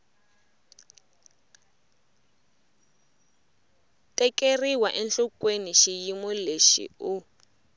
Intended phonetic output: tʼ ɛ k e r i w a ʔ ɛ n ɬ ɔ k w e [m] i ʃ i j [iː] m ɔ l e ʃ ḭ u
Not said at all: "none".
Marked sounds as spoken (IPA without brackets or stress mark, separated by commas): n, i